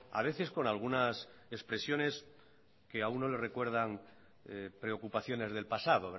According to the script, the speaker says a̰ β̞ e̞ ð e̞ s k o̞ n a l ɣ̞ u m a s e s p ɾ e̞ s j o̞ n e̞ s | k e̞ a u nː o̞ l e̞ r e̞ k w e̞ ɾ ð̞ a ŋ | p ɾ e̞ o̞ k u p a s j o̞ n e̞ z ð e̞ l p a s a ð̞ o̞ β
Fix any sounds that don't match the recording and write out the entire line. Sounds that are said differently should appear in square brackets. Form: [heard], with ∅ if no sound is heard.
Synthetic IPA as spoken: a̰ β̞ e̞ [θ] e̞ s k o̞ n a l ɣ̞ u [n] a s e s p ɾ e̞ s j o̞ n e̞ s | k e̞ a u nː o̞ l e̞ r e̞ k w e̞ ɾ ð̞ a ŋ | p ɾ e̞ o̞ k u p a [θ] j o̞ n e̞ z ð e̞ l p a s a ð̞ o̞ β